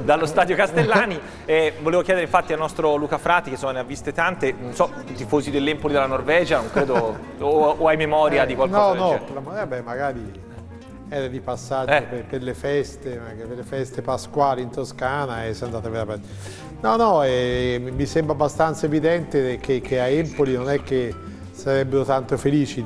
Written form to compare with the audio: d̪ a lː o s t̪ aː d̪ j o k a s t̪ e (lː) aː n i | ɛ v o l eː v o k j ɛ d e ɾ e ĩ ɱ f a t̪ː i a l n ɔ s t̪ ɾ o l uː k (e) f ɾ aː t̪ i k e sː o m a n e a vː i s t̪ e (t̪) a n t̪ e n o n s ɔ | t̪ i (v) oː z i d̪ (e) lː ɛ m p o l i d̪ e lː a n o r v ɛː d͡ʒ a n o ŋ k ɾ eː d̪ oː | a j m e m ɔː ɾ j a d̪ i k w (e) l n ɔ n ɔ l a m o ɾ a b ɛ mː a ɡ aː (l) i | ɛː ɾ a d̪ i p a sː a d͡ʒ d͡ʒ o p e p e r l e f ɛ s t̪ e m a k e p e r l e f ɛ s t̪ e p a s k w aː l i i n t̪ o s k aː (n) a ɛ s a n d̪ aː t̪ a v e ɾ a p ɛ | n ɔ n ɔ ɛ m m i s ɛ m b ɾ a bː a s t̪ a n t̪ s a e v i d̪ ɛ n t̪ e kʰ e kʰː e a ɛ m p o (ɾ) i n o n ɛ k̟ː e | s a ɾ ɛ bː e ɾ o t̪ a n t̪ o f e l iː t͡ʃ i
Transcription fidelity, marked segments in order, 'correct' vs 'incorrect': correct, incorrect: a, correct, incorrect: f, correct, incorrect: a, incorrect: ɾ, correct, incorrect: l

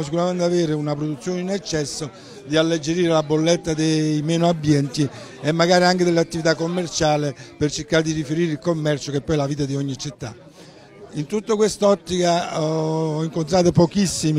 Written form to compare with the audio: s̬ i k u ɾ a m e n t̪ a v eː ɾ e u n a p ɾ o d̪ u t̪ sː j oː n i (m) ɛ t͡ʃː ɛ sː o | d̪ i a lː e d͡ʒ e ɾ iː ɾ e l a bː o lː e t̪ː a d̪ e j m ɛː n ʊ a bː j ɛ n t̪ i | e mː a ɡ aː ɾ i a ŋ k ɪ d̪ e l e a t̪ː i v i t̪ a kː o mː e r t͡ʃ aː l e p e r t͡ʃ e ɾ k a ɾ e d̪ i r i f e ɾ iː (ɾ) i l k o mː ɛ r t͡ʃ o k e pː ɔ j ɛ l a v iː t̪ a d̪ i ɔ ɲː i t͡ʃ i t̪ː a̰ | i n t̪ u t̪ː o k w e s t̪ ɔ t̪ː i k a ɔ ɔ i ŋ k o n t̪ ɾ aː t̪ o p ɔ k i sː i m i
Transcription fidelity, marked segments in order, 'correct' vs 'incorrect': incorrect: n, correct

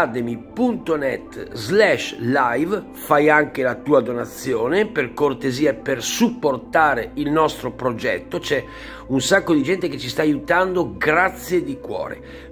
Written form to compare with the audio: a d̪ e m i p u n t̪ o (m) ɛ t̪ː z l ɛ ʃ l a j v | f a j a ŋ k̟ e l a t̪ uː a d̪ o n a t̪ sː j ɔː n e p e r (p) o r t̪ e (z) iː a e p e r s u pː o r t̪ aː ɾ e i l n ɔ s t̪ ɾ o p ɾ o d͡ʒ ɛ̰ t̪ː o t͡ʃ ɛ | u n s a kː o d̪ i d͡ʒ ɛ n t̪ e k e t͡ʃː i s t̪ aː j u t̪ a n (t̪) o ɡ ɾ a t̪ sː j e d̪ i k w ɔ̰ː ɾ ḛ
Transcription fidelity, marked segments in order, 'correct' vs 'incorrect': incorrect: n, incorrect: k, correct, incorrect: d̪

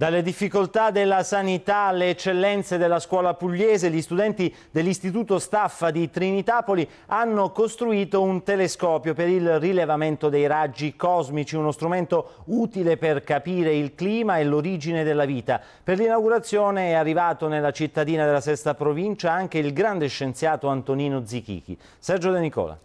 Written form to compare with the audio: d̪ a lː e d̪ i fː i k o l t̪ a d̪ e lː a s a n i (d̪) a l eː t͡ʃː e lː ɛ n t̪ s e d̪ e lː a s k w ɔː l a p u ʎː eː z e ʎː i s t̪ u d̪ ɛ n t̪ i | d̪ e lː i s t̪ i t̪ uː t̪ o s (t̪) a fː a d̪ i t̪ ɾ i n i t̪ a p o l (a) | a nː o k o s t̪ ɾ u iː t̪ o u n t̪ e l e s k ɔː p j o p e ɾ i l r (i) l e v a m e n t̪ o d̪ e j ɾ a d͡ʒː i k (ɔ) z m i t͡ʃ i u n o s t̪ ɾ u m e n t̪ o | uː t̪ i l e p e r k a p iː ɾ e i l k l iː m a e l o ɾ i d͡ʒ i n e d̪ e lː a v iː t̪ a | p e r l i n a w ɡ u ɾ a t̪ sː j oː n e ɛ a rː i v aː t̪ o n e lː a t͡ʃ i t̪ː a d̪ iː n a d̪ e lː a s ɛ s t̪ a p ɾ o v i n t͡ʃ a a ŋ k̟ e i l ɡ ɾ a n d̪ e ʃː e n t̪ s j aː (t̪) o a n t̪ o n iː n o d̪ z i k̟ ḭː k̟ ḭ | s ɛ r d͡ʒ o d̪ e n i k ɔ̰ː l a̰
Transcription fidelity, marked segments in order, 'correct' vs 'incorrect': incorrect: t̪, correct, incorrect: i, correct, correct, correct

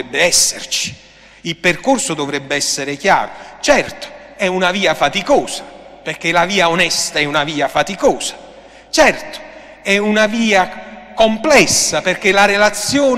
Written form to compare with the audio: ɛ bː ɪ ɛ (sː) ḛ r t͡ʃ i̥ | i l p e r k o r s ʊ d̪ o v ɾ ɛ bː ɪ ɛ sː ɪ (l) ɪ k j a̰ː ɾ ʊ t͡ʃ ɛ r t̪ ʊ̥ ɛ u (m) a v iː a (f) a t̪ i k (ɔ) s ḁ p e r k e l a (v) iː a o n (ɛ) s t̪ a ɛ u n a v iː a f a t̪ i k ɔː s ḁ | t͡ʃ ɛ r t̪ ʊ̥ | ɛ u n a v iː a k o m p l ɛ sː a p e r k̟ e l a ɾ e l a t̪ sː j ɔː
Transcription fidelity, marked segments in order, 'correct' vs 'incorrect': correct, incorrect: ɾ, incorrect: n, correct, incorrect: ɔː, correct, correct

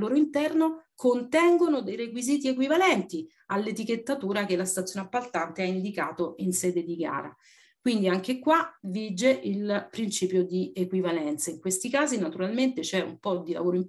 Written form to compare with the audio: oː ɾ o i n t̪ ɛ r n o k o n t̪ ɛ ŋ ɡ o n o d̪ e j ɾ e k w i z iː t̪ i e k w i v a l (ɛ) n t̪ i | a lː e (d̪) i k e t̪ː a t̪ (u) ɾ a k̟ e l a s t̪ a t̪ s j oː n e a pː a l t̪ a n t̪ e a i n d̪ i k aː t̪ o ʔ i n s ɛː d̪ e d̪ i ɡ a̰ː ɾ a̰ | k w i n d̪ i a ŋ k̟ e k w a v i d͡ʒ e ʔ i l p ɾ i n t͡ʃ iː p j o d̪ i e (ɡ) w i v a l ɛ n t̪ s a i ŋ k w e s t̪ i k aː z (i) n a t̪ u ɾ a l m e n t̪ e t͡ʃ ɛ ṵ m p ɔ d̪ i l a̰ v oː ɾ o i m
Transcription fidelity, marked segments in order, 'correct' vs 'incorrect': correct, incorrect: t̪, incorrect: uː, incorrect: k, correct

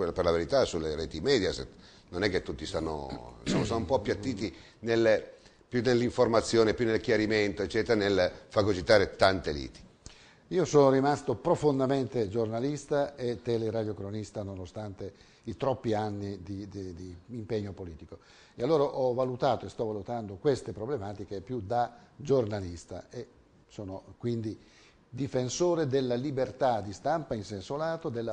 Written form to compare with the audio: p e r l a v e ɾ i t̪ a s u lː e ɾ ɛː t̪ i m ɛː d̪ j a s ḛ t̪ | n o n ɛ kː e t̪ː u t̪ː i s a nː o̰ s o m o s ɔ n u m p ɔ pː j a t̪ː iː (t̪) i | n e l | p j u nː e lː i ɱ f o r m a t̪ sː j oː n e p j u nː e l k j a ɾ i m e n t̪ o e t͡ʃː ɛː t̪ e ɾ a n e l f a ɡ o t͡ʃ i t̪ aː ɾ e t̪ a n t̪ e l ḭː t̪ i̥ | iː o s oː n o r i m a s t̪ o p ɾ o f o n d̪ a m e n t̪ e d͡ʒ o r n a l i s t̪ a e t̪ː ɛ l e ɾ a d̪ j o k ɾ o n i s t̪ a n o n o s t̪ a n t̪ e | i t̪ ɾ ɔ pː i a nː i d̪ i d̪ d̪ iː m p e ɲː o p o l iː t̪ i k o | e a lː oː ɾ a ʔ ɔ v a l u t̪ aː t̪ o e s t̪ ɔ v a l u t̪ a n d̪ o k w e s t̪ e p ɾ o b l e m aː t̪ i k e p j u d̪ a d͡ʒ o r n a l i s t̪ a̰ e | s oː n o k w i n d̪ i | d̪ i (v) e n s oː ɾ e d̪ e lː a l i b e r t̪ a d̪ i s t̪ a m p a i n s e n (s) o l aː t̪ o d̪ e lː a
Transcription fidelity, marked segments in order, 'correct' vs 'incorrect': correct, incorrect: f, correct

